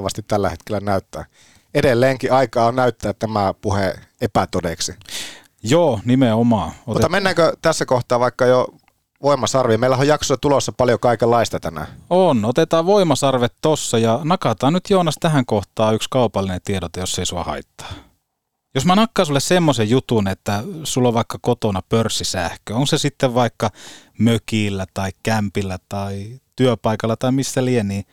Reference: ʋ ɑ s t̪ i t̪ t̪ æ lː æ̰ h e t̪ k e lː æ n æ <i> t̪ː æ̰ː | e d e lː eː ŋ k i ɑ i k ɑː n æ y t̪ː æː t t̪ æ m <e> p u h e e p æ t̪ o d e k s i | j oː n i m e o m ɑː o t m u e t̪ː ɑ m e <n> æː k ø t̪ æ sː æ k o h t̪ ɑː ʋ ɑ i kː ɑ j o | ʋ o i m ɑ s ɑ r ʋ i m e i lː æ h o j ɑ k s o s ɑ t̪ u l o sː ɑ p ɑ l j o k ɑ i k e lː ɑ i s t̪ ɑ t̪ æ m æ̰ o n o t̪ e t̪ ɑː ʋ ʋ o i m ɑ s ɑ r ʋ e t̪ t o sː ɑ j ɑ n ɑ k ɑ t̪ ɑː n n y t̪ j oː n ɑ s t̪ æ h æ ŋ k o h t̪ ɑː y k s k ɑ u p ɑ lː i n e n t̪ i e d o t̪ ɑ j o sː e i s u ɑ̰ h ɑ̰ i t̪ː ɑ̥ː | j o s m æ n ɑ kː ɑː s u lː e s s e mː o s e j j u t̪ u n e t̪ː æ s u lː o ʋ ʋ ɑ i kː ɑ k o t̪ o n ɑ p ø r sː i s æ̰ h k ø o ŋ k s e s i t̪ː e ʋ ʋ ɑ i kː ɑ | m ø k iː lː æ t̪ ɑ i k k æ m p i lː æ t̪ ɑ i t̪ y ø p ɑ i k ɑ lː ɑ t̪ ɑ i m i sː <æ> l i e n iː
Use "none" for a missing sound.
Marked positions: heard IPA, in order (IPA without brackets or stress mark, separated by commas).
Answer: y, æ, nː, æ